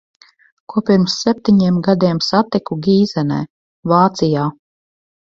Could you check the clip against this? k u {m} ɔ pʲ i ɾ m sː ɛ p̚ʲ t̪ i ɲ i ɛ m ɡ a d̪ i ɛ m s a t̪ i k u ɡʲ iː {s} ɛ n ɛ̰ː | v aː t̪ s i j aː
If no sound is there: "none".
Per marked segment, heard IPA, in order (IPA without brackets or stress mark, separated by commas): none, z